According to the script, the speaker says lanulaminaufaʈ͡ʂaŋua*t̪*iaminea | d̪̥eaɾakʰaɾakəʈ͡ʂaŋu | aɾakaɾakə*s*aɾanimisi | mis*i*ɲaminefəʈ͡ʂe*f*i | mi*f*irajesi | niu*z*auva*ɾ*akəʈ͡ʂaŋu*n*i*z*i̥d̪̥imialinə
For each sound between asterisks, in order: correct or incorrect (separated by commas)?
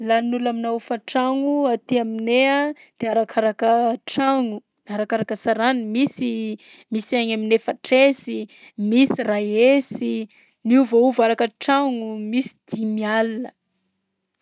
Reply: correct, correct, incorrect, incorrect, incorrect, incorrect, correct, incorrect, incorrect